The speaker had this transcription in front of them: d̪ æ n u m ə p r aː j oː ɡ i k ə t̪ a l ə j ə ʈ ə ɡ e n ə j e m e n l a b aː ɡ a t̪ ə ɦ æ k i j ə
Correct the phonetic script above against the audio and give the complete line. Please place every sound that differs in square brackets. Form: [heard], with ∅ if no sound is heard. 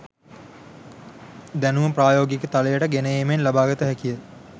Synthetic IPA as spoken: d̪ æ n u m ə p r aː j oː ɡ i k ə t̪ a l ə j ə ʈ ə ɡ e n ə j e m e n l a b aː ɡ [ə] t̪ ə ɦ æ k i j ə